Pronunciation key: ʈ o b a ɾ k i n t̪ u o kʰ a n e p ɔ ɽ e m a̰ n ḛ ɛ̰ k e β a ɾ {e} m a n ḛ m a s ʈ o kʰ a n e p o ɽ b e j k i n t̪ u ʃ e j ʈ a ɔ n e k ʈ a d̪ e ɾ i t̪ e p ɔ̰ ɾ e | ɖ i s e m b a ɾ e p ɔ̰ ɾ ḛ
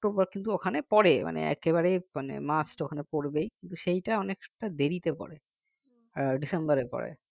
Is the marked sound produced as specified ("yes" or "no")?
yes